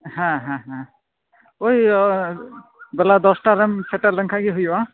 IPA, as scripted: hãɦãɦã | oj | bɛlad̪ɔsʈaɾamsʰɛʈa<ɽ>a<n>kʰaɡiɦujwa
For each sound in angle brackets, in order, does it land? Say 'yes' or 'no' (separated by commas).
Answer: no, no